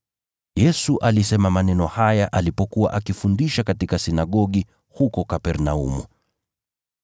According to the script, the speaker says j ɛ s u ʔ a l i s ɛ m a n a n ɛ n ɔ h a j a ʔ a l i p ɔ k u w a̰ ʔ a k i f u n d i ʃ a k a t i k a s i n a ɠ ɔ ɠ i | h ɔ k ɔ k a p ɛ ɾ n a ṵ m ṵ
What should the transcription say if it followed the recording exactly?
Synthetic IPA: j ɛ s u ʔ a l i s ɛ m a m a n ɛ n ɔ h a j a ʔ a l i p ɔ k u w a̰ ʔ a k i f u n d i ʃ a k a t i k a s i n a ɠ ɔ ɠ i | h u k ɔ k a p ɛ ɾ n a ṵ m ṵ